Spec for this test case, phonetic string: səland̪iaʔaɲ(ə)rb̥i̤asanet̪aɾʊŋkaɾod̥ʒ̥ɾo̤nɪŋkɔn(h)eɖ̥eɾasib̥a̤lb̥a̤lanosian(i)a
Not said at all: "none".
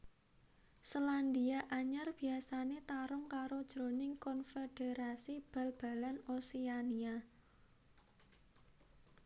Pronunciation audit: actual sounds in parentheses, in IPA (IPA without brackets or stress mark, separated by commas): a, f, i